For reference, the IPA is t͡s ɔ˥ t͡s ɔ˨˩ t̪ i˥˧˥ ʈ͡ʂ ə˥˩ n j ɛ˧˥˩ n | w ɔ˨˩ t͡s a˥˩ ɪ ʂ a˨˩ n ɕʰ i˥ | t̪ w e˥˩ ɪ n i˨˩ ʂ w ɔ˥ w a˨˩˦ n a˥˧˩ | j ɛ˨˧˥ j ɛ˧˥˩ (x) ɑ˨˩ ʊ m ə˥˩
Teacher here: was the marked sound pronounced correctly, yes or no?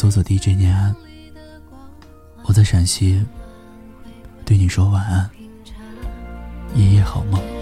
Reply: yes